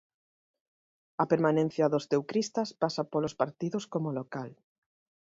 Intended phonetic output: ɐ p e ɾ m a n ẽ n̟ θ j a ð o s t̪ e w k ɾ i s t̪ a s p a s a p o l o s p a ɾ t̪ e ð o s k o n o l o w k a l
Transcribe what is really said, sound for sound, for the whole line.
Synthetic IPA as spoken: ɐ p e ɾ m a n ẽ n̟ θ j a ð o s t̪ e w k ɾ i s t̪ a s p a s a p o l o s p a ɾ t̪ i ð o s k o m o l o k a l